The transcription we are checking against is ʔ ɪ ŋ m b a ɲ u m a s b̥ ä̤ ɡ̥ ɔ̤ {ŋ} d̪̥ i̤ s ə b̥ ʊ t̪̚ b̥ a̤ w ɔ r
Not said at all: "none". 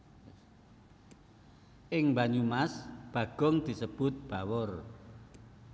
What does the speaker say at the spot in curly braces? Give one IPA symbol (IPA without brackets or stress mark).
ŋ